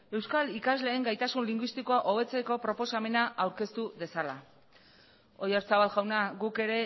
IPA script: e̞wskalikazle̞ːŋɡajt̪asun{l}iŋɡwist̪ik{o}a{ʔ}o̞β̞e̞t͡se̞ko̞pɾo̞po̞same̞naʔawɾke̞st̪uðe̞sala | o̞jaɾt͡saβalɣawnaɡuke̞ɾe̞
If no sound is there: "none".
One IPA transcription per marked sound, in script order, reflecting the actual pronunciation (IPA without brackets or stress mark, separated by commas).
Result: l, o, ʔ